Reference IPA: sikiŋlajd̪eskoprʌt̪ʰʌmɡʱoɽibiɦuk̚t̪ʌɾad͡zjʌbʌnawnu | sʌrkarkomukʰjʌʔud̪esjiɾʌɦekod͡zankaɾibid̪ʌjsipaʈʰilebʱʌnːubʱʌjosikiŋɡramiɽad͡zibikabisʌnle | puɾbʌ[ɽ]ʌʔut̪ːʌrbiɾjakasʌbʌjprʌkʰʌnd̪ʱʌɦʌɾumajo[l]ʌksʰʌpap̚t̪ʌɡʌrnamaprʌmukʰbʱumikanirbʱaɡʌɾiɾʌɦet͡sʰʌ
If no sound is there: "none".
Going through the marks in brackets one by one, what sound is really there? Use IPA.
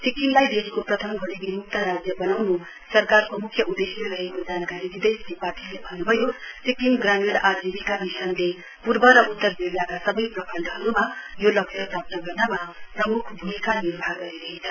ɾ, l

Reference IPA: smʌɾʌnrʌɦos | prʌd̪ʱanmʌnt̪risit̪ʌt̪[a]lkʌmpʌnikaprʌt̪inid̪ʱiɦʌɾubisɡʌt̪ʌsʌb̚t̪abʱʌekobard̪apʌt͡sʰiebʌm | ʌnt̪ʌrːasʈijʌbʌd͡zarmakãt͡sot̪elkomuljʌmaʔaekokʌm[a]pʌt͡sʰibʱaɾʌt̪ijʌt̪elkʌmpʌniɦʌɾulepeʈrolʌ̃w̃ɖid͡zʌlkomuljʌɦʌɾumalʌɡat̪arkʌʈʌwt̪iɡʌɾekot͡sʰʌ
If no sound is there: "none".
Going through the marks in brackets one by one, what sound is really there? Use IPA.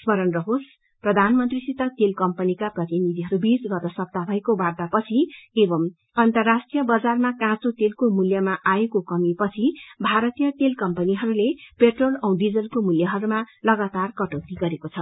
e, i

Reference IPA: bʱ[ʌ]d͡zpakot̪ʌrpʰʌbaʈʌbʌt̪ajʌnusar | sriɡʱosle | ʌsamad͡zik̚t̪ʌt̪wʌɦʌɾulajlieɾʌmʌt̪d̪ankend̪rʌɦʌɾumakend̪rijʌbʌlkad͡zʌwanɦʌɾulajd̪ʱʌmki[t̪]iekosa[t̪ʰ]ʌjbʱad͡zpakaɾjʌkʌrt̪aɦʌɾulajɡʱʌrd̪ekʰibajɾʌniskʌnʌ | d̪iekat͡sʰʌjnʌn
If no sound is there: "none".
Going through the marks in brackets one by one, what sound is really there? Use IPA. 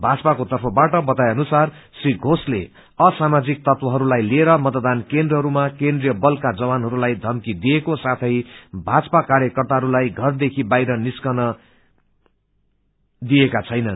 a, d̪, t̪ʰ

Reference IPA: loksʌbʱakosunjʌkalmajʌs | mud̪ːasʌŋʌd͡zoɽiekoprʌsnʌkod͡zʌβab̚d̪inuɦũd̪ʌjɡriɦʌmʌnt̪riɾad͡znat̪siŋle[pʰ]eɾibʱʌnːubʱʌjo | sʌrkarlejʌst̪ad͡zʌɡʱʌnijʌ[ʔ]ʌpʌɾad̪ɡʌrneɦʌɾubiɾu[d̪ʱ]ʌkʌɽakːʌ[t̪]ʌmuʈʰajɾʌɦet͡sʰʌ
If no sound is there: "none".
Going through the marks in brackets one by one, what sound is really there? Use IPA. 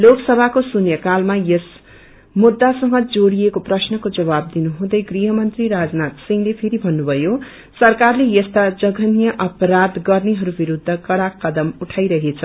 pʰ, ʔ, d̪ʱː, d̪

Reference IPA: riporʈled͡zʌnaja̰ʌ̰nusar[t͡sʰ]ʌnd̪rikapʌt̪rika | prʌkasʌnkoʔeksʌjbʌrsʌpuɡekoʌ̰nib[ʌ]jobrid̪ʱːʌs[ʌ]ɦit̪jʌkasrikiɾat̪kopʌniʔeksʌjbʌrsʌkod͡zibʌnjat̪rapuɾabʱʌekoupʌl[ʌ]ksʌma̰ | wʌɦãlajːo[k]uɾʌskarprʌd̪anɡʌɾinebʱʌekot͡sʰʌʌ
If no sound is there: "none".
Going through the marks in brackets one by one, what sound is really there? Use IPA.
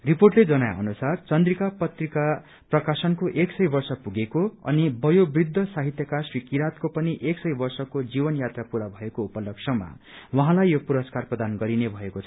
t͡s, ʌ, a, ʌ, p

